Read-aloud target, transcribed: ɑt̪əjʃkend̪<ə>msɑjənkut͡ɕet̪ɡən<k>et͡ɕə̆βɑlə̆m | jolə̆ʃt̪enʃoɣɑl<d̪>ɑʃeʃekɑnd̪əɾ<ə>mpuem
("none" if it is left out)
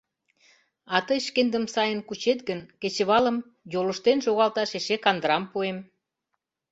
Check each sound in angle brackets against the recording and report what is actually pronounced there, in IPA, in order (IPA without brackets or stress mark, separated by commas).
ə, k, t̪, ɑ